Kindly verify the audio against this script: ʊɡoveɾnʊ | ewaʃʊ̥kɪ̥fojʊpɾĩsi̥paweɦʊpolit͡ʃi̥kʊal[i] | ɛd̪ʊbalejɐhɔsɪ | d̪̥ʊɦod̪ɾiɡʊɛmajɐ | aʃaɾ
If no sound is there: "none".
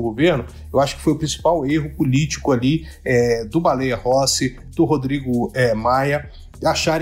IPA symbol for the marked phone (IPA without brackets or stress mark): i